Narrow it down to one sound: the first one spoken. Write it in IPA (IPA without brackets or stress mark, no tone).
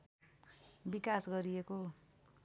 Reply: b